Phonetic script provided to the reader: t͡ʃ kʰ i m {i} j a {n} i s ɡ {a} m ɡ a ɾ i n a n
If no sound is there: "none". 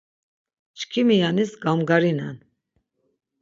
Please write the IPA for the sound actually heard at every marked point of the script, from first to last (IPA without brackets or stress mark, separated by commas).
i, n, a